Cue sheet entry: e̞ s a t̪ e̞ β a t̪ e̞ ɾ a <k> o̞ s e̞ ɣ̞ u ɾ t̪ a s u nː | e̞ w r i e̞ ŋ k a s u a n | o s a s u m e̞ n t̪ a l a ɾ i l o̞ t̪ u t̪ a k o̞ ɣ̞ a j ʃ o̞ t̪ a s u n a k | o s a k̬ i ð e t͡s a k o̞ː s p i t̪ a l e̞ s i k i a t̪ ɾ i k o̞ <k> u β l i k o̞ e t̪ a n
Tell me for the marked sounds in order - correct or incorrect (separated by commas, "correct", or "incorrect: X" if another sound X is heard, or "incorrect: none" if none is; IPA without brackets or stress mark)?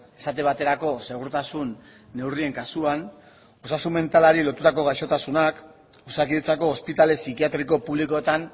correct, incorrect: p